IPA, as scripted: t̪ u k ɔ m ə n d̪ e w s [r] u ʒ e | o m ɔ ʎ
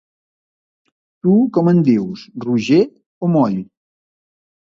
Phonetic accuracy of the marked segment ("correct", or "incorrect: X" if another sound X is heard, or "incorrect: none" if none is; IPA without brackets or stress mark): correct